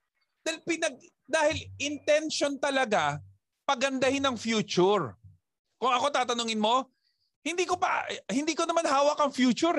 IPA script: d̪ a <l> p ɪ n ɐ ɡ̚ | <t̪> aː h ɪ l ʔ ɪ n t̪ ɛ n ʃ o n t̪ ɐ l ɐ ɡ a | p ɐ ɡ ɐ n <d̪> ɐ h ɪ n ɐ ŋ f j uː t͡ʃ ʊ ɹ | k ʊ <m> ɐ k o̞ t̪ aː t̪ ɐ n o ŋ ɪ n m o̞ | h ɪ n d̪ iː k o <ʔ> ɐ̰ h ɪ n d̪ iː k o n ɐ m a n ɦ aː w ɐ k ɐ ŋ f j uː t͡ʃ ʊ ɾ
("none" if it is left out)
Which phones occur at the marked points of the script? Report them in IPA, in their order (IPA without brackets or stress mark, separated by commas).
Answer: l, d̪, d̪, ŋ, p